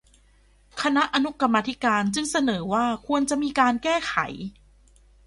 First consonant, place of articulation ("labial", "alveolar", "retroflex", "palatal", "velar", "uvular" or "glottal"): velar